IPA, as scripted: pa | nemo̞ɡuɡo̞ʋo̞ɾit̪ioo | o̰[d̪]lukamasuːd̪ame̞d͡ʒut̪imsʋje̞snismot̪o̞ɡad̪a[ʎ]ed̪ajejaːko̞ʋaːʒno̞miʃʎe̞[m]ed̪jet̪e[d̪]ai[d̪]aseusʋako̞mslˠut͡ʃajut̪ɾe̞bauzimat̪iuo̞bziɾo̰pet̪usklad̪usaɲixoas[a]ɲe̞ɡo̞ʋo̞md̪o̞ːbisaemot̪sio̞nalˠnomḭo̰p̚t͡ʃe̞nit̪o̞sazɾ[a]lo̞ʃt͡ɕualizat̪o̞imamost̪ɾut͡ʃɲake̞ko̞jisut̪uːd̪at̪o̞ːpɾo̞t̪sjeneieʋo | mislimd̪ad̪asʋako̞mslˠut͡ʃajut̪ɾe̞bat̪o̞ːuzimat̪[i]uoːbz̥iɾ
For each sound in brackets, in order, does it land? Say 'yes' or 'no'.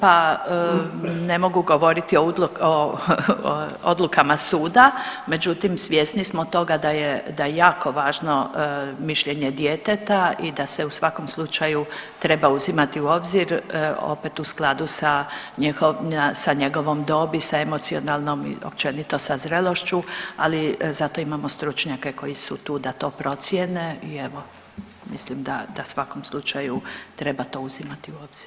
yes, no, no, no, yes, yes, no, yes

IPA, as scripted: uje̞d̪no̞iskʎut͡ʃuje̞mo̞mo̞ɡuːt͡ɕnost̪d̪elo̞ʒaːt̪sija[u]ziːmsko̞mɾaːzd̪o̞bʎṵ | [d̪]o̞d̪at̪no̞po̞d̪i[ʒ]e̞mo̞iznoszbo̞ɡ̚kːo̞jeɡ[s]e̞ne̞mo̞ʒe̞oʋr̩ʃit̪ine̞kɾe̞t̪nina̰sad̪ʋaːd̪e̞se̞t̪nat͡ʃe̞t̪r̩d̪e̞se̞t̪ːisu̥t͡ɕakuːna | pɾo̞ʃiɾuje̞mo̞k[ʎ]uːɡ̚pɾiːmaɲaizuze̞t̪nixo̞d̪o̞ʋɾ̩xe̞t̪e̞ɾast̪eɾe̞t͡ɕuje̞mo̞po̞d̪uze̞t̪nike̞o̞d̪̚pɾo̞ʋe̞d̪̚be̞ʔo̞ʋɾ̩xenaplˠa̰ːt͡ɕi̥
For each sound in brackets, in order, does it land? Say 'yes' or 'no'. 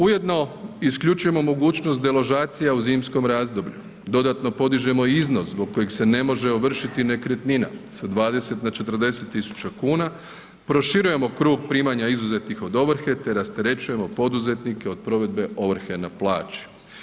yes, yes, yes, yes, no

